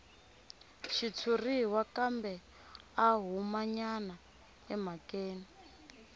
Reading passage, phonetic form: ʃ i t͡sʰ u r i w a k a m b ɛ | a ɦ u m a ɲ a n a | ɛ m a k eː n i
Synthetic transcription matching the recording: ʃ i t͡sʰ u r i w a k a m b ɛ | a ɦ u m a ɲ a n a | ɛ m a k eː n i